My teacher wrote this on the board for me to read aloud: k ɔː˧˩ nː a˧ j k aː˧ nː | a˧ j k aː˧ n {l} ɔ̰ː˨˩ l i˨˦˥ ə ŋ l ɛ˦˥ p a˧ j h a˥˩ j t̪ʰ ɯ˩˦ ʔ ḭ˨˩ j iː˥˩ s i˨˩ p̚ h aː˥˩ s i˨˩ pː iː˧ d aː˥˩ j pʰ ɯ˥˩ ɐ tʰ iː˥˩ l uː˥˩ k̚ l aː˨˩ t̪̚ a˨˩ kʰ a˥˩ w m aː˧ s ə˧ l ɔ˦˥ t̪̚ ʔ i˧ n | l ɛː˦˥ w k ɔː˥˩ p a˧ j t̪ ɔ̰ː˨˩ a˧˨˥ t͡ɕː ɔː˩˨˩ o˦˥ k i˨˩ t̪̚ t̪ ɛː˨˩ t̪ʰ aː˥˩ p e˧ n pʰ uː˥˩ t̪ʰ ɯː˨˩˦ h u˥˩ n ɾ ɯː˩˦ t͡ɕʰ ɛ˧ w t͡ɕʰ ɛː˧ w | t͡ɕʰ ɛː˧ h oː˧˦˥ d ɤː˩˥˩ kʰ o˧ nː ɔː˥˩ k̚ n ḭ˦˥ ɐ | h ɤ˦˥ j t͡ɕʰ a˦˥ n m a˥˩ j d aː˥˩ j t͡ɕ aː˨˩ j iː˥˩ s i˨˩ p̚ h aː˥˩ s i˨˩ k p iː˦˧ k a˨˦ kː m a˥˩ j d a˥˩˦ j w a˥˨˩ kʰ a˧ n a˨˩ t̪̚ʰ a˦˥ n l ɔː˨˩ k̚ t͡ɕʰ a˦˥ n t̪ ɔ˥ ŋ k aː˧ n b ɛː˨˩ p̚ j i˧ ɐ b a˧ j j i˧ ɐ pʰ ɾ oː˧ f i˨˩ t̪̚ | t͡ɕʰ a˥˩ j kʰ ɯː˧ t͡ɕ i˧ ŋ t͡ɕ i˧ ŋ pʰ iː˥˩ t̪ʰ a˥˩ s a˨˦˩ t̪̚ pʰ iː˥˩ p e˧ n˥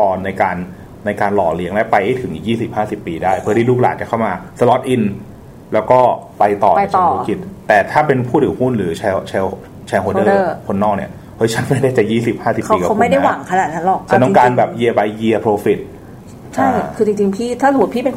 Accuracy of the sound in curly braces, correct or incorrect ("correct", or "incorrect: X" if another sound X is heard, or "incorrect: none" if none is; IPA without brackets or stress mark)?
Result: correct